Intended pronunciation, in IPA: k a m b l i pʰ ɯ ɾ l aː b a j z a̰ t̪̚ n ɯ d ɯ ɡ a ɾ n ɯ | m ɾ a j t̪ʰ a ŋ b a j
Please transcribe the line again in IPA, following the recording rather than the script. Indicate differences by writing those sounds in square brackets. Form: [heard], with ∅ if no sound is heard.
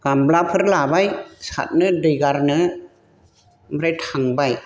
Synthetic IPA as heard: k a m b l [a] pʰ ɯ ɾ l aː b a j [s] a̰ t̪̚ n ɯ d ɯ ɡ a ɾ n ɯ | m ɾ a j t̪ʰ a ŋ b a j